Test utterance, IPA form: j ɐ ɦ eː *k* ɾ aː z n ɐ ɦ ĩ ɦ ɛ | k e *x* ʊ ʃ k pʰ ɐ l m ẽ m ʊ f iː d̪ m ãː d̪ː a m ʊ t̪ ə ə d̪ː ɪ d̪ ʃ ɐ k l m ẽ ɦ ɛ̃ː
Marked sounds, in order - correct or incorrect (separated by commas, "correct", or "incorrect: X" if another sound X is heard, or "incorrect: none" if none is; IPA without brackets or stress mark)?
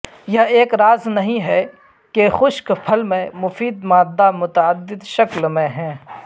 correct, correct